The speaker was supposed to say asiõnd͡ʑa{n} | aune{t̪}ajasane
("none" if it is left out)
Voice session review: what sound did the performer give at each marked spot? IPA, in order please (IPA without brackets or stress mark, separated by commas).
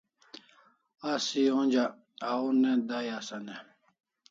none, d̪